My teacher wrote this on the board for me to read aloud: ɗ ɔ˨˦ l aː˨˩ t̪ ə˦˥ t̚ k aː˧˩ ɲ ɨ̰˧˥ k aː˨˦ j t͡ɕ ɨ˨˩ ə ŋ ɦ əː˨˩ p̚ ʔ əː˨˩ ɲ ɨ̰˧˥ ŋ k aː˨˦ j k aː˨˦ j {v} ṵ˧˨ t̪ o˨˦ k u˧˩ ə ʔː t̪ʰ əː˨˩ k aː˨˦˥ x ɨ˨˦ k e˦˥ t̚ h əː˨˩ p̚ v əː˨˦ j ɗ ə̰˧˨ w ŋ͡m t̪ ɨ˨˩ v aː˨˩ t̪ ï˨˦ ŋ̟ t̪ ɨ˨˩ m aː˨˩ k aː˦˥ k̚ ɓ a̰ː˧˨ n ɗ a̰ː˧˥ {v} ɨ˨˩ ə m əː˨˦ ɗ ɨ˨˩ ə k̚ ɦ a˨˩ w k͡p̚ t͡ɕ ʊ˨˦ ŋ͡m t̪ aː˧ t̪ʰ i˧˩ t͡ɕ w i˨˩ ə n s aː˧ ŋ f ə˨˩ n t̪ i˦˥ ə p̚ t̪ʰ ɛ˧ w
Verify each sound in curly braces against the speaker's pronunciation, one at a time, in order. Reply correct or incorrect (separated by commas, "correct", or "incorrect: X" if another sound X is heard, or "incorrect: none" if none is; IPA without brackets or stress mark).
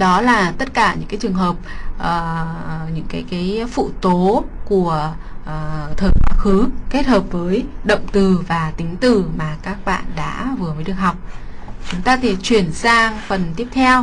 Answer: incorrect: f, correct